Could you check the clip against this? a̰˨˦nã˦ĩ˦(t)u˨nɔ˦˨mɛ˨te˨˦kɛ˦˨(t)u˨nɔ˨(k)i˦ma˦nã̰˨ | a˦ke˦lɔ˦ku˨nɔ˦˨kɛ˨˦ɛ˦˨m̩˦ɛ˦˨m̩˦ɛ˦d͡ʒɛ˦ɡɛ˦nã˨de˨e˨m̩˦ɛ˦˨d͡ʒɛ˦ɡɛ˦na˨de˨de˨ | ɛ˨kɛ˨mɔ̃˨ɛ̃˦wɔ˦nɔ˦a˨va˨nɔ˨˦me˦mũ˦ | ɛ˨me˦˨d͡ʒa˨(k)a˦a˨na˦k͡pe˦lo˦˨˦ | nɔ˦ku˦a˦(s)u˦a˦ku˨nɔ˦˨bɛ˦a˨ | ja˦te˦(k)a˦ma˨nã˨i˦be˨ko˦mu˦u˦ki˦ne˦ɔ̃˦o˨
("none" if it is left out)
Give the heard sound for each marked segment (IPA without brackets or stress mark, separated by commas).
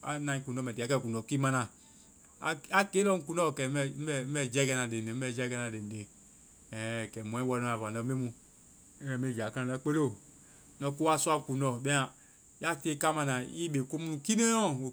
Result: k, k, k, k, s, k